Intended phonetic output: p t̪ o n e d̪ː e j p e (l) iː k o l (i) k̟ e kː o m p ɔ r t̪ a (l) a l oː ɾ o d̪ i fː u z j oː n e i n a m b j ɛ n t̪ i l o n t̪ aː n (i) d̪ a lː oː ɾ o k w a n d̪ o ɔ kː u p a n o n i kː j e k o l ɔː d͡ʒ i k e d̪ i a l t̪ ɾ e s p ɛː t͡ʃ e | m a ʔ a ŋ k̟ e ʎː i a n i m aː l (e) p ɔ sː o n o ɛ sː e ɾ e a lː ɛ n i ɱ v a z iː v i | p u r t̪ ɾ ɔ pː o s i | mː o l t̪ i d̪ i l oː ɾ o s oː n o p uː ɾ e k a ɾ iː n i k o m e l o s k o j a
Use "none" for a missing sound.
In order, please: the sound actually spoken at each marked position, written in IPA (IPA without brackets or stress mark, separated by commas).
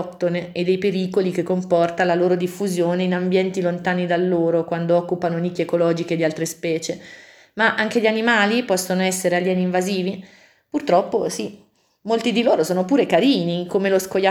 ɾ, i, l, i, i